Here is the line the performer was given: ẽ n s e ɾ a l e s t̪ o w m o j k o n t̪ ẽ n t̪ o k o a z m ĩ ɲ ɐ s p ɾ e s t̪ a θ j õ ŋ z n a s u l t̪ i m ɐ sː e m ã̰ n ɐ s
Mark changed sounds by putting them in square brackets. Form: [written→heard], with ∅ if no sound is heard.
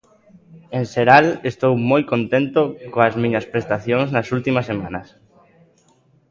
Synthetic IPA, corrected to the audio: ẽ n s e ɾ a l e s t̪ o w m o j k o n t̪ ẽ n t̪ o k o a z m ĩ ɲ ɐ s p ɾ e s t̪ a θ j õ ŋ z n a s u l t̪ i m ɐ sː e m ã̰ n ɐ s